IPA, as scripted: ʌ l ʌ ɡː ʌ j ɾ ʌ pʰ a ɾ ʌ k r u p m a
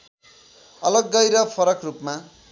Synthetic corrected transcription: ʌ l ʌ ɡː ʌ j ɾ ʌ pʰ ʌ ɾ ʌ k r u p m a